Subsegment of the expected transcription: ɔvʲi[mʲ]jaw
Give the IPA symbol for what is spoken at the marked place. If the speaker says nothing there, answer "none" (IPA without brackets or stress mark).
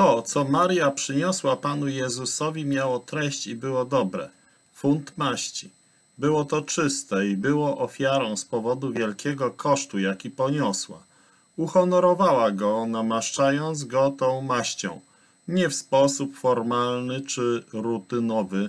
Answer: mʲ